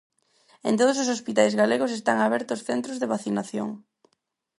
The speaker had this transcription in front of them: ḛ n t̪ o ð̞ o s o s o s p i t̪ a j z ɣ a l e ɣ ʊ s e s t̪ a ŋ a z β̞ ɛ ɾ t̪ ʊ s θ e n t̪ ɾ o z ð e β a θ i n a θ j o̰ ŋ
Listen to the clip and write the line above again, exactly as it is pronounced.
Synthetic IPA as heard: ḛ n t̪ o ð̞ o s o s o s p i t̪ a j z ɣ a l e ɣ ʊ s e s t̪ a ŋ a β̞ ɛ ɾ t̪ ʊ s θ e n t̪ ɾ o z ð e β a θ i n a θ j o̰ ŋ